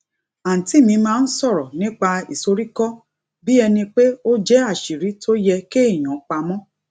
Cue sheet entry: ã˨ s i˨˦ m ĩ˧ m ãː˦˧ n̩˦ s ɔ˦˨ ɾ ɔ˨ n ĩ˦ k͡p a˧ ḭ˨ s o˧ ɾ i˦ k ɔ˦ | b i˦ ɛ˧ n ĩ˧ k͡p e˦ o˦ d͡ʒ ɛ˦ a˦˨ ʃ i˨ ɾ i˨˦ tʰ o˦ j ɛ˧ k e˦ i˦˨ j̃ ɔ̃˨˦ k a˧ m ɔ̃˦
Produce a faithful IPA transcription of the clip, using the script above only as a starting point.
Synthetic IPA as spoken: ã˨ t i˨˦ m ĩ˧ m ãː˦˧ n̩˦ s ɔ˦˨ ɾ ɔ˨ n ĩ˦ k͡p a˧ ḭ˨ s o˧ ɾ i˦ k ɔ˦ | b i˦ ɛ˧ n ĩ˧ k͡p e˦ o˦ d͡ʒ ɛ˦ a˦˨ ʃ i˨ ɾ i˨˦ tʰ o˦ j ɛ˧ k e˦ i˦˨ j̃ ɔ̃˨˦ k͡p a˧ m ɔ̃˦